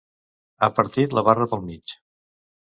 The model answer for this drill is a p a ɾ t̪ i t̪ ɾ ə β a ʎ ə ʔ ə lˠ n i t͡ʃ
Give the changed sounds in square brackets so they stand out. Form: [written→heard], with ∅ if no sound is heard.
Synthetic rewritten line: a p [a→ə] ɾ t̪ i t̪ [ɾ→l] ə β a [ʎ→r] ə [ʔ→p] ə lˠ [n→m] i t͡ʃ